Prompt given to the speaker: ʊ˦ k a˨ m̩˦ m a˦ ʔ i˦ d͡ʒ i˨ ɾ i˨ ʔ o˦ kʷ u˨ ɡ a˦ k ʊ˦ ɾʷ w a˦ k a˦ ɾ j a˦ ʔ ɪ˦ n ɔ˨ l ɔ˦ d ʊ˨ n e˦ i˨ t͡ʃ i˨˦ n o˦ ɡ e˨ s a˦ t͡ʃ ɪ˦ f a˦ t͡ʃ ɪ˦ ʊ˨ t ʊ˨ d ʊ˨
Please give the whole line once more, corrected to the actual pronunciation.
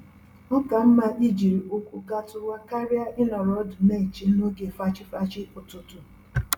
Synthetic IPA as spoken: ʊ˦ k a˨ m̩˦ m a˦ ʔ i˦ d͡ʒ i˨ ɾ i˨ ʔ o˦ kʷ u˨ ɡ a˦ t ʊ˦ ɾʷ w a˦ k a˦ ɾ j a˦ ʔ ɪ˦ n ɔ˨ ɾ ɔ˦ d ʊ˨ n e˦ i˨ t͡ʃ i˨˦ n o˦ ɡ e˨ f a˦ t͡ʃ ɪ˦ f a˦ t͡ʃ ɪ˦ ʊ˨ t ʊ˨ t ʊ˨